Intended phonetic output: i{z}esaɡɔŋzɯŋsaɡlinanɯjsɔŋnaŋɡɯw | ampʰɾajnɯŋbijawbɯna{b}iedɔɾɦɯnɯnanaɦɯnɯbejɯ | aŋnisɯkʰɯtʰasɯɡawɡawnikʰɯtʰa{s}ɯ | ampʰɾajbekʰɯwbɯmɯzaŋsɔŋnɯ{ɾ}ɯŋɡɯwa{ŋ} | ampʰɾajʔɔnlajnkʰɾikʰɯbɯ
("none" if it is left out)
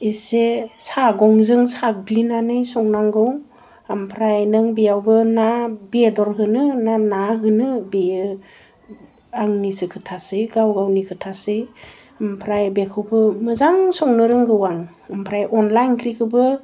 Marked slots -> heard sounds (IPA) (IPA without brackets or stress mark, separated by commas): s, b, s, ɾ, ŋ